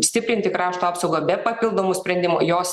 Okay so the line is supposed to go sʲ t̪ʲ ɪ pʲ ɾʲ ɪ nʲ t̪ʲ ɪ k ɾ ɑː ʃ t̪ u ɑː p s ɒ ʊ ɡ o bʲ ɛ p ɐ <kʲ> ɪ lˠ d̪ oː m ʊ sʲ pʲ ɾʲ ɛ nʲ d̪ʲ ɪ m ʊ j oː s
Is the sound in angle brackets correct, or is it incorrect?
incorrect